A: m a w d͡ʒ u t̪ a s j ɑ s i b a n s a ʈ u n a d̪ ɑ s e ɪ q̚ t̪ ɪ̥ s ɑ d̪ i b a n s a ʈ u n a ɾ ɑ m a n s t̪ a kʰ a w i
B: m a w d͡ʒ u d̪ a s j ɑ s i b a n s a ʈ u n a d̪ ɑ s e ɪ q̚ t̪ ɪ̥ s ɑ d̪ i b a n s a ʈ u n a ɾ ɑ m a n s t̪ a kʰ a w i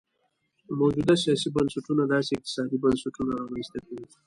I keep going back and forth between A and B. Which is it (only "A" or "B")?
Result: B